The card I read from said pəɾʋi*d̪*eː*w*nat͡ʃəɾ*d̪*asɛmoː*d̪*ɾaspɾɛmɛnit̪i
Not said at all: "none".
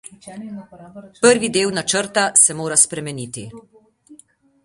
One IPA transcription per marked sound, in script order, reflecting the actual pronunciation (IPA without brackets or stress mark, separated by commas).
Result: d̪, w, t̪, none